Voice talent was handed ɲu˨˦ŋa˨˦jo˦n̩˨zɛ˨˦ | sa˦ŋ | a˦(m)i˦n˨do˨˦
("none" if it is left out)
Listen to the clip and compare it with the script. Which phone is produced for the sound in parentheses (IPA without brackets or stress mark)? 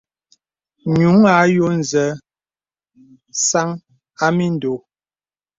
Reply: m